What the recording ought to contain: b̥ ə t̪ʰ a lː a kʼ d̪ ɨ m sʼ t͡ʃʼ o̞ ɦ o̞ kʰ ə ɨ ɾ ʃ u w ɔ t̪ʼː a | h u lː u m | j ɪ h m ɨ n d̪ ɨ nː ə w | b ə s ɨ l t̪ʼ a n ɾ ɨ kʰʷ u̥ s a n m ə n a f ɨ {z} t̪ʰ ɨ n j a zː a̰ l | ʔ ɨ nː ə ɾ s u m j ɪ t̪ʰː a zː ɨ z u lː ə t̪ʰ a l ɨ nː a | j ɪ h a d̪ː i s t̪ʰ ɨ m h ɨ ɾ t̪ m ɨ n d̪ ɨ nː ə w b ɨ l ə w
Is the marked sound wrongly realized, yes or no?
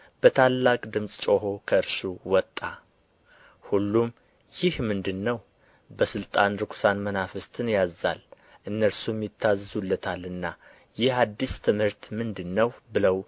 yes